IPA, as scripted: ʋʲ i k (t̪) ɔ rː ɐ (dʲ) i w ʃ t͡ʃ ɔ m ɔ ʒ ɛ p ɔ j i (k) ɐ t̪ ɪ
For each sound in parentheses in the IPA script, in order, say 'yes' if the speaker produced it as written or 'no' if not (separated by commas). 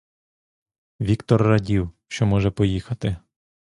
yes, yes, no